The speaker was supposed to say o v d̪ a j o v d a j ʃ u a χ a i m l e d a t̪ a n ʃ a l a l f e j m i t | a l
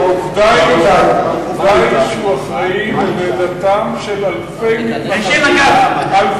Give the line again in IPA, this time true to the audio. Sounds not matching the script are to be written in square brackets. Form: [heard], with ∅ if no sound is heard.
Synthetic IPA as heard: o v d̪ a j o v d a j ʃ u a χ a i m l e d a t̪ a [m] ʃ [e] l a l f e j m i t | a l